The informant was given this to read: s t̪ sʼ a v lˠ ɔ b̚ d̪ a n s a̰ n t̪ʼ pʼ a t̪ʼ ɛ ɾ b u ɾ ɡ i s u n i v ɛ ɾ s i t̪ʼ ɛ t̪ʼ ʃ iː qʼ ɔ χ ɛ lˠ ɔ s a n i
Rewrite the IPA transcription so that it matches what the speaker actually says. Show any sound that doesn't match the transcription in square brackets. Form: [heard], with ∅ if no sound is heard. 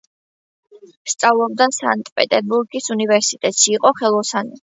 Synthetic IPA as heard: s t̪ sʼ a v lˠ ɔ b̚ d̪ a n s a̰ n t̪ʼ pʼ [ɛ] t̪ʼ ɛ ɾ b u ɾ ɡ i s u n i v ɛ ɾ s i t̪ʼ ɛ t̪ʼ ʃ iː qʼ ɔ χ ɛ lˠ ɔ s a n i